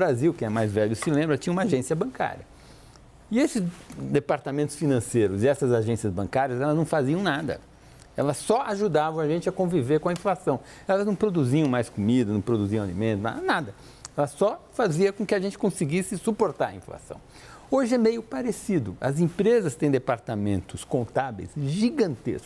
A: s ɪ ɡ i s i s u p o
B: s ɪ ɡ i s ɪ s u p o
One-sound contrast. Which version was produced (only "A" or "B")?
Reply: B